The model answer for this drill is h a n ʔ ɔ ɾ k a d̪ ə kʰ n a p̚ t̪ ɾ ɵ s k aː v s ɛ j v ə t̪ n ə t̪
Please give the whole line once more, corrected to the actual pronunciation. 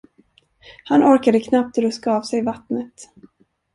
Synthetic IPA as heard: h a n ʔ ɔ ɾ k a d̪ ə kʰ n a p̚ t̪ ɾ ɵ s k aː v s ɛ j v a t̪ n ə t̪